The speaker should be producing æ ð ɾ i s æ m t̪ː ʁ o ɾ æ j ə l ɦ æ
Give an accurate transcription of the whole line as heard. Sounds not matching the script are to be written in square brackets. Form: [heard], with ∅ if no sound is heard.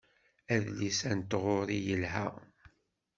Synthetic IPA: æ ð [l] i s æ [n] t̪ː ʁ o ɾ [i] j ə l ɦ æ